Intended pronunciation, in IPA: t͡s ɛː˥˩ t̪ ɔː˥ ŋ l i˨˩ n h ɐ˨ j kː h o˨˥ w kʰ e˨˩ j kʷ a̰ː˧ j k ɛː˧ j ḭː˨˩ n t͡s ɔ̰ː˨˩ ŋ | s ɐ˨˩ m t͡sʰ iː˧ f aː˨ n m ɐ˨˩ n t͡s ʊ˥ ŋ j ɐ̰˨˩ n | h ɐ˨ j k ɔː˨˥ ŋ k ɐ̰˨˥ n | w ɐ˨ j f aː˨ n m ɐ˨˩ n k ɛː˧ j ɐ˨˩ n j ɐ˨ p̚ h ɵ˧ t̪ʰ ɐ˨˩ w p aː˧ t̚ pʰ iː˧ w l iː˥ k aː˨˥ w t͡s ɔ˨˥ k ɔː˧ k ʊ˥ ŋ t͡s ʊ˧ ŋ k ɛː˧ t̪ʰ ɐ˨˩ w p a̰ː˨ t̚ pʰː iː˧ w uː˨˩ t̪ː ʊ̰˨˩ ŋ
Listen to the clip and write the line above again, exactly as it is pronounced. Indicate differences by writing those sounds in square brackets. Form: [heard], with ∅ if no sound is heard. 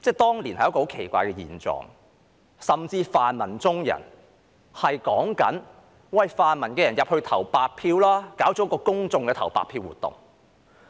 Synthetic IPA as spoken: t͡s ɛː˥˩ t̪ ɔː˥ ŋ l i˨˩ n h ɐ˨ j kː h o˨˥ w kʰ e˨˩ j kʷ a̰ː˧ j k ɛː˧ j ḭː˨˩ n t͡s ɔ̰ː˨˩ ŋ | s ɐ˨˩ m [t͡s] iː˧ f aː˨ n m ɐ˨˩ n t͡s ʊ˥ ŋ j ɐ̰˨˩ n | h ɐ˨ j k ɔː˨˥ ŋ k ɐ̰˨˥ n | w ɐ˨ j f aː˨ n m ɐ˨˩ n k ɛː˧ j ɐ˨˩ n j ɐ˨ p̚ h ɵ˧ t̪ʰ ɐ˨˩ w p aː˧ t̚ pʰ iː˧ w l [aː˥] k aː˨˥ w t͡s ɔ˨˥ k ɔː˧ k ʊ˥ ŋ t͡s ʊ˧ ŋ k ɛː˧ t̪ʰ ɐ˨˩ w p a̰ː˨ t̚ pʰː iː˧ w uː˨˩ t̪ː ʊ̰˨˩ ŋ